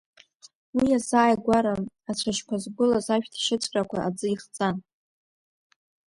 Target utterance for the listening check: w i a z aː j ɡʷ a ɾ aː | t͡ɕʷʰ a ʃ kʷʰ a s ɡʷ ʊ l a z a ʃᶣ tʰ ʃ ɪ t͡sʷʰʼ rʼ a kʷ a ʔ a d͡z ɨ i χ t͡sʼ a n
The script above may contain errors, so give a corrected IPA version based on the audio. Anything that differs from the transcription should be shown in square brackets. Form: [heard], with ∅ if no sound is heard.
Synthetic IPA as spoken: w i a z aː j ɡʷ a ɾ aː | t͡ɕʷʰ a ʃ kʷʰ a [z] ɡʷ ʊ l a z a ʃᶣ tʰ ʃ ɪ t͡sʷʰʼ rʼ a kʷ a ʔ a d͡z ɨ i χ t͡sʼ a n